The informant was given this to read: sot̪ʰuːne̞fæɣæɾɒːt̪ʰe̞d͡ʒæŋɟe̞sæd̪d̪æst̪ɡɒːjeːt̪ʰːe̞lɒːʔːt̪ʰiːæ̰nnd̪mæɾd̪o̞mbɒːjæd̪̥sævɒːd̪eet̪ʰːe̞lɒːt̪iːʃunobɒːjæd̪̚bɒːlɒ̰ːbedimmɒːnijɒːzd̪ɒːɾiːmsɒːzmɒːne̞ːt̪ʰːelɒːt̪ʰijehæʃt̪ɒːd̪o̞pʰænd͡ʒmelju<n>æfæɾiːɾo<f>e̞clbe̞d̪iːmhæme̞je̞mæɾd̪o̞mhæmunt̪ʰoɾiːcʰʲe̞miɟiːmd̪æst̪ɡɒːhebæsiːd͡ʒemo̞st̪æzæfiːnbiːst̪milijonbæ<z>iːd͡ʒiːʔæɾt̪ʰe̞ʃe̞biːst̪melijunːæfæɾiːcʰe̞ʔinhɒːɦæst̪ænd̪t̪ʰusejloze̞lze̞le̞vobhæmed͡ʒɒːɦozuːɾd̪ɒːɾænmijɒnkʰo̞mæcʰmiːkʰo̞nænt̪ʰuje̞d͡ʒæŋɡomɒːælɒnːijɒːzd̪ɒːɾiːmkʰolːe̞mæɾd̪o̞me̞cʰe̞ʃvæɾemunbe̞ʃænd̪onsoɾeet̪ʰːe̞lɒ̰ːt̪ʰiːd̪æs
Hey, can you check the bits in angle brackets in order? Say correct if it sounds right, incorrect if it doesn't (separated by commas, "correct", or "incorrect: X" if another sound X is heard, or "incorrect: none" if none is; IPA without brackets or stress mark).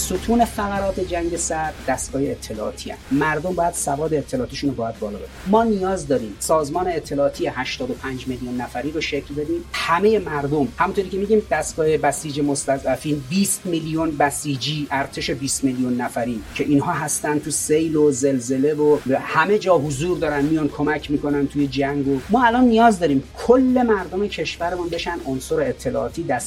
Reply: incorrect: nː, incorrect: ʃ, incorrect: s